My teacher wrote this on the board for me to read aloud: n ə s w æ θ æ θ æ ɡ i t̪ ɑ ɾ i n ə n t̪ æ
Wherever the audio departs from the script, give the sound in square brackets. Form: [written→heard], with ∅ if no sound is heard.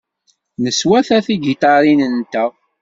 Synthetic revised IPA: n ə s w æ θ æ θ [æ→i] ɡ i t̪ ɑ ɾ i n ə n t̪ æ